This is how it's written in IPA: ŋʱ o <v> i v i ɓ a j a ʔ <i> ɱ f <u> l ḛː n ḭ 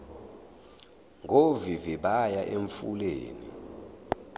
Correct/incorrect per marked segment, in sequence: correct, incorrect: e, correct

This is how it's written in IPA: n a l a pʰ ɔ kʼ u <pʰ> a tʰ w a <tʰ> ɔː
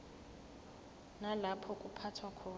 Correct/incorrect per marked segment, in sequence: correct, incorrect: kʰ

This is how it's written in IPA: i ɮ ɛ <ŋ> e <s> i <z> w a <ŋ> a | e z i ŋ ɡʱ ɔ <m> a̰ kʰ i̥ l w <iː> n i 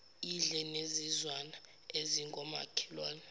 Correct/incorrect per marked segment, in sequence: incorrect: n, incorrect: z, correct, incorrect: n, correct, incorrect: aː

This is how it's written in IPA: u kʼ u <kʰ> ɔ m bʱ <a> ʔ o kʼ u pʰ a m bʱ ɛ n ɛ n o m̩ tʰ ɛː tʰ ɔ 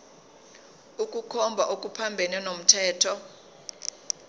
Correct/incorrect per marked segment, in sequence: correct, correct

